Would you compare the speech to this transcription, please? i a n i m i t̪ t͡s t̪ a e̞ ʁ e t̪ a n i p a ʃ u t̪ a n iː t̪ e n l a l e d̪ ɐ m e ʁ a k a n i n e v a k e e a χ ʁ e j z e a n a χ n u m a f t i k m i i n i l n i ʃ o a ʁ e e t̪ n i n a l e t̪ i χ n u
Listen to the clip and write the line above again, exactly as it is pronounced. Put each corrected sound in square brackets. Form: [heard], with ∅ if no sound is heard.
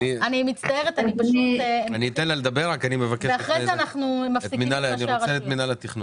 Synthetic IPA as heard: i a n i m i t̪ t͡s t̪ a e̞ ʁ e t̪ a n i p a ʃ u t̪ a n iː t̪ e n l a l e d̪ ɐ [b] e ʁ a k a n i [m] e v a k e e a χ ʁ e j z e a n a χ n u m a f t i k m i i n [a] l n i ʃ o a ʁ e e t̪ [m] i n a l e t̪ i χ n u